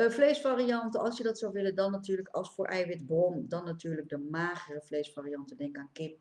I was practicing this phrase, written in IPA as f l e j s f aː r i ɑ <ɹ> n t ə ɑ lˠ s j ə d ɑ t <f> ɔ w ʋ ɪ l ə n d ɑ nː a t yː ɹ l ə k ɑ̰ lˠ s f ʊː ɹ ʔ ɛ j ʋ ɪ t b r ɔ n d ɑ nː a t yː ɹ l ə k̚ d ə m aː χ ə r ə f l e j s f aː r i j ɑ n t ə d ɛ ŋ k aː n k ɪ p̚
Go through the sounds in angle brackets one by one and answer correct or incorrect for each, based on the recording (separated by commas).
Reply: incorrect, incorrect